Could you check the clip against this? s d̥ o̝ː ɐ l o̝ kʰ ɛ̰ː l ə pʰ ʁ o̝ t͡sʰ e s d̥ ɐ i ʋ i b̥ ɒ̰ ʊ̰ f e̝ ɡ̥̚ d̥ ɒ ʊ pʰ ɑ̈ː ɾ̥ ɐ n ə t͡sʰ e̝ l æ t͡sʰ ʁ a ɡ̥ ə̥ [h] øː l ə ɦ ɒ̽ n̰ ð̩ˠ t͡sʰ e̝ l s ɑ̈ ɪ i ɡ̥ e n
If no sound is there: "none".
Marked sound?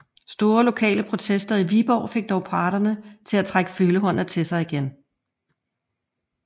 f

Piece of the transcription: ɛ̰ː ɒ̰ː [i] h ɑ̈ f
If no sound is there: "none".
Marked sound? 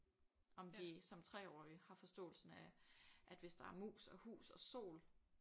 i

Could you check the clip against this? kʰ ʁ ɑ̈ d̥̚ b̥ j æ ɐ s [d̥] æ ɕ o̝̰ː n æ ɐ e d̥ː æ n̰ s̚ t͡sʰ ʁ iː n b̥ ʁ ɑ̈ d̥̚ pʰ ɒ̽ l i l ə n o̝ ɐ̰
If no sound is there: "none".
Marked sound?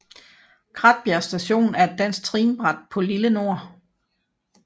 d̥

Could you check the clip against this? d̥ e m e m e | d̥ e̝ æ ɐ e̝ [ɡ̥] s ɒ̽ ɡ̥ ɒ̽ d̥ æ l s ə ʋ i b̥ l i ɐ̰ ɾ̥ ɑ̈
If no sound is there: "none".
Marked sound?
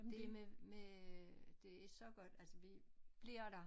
ɡ̥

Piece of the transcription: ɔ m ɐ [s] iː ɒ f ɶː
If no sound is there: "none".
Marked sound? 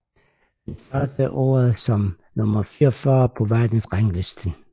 f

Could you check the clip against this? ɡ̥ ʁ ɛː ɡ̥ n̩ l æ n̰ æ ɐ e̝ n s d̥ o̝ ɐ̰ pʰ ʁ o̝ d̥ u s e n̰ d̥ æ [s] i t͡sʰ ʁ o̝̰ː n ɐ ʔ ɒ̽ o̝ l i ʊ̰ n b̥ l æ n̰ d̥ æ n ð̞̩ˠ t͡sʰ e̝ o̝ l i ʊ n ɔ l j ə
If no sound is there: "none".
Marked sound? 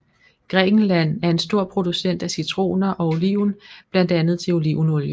s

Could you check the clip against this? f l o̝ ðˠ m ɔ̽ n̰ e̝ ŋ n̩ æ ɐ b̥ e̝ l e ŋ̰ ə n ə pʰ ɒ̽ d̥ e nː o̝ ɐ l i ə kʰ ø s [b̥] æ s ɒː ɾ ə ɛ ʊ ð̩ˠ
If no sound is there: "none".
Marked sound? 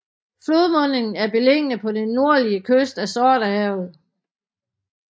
d̥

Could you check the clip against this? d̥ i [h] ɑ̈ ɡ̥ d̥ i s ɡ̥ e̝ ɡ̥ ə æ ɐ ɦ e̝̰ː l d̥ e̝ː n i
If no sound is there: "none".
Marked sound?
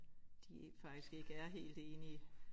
f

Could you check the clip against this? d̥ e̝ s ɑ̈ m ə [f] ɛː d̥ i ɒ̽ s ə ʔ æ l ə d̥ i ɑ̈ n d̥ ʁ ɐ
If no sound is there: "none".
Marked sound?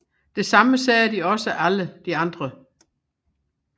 s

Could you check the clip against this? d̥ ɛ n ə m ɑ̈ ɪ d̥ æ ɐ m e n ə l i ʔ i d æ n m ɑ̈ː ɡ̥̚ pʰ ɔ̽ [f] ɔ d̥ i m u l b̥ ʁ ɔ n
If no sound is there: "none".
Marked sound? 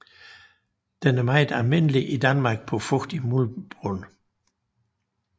f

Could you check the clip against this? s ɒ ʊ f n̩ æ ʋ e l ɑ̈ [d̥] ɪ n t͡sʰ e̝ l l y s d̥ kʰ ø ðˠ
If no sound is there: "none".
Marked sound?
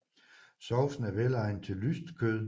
none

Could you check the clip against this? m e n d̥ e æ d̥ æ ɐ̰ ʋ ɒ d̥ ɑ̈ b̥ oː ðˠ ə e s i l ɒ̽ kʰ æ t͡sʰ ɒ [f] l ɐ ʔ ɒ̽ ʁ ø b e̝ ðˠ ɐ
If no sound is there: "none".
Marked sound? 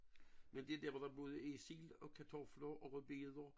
f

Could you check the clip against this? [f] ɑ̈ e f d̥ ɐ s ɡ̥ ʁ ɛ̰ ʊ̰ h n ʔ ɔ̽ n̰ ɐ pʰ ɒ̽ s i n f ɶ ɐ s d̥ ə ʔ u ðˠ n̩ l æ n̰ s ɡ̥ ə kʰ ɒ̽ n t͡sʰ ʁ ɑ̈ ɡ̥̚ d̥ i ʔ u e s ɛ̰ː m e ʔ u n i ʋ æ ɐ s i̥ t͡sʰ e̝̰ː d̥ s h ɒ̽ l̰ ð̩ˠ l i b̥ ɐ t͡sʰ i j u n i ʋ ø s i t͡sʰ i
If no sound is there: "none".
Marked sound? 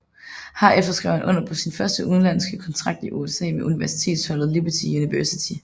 h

